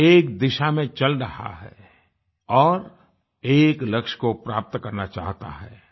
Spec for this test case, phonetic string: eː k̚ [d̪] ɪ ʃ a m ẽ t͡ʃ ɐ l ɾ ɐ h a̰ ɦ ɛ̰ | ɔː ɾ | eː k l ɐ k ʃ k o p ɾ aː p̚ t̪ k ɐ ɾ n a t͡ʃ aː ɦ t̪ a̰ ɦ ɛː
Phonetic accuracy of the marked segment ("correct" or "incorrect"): correct